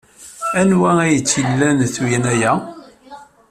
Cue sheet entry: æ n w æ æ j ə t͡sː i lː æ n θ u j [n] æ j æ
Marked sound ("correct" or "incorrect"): correct